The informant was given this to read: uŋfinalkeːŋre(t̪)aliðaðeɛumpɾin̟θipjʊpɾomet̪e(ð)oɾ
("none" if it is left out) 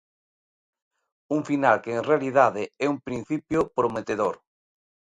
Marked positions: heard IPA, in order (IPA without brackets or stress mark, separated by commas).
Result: none, ð